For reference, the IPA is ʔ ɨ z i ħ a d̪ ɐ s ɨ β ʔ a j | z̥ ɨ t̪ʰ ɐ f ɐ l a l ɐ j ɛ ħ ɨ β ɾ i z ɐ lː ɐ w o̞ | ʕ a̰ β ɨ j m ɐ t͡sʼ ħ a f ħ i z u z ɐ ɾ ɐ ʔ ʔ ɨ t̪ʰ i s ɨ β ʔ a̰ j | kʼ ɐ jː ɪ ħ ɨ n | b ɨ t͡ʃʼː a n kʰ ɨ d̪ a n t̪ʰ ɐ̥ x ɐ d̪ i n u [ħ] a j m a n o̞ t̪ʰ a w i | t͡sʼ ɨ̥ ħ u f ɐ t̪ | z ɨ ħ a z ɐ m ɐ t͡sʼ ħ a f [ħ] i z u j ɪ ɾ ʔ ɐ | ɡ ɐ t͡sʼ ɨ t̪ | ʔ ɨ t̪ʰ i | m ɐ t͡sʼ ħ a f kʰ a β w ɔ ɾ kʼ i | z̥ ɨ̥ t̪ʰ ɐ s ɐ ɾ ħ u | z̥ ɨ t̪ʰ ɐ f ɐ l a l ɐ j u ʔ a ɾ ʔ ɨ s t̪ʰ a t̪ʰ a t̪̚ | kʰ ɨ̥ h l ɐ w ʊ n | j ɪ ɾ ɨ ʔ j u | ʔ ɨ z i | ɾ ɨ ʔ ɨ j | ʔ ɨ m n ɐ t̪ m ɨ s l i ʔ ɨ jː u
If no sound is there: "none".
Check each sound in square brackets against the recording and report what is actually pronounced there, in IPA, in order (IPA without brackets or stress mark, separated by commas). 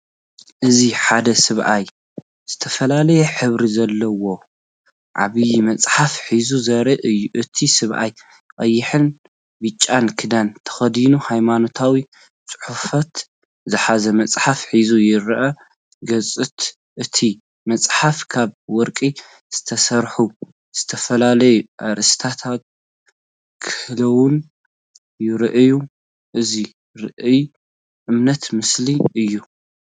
h, ħ